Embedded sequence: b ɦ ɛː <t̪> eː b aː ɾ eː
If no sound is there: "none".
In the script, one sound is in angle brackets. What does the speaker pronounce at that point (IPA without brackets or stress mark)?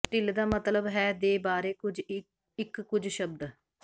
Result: d̪